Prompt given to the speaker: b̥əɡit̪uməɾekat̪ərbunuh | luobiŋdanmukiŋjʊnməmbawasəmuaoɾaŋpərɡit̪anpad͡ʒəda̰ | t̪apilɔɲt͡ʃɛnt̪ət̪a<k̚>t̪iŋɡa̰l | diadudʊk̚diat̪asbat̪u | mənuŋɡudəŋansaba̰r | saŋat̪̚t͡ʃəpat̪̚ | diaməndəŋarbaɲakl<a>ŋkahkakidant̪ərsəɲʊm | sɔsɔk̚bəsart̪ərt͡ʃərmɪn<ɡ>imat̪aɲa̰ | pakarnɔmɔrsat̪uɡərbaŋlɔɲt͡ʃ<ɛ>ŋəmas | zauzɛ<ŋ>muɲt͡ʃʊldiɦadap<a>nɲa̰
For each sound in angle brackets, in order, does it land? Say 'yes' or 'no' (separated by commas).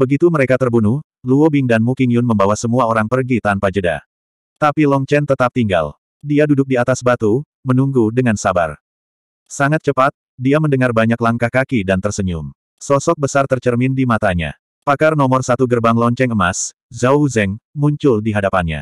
no, yes, no, yes, yes, yes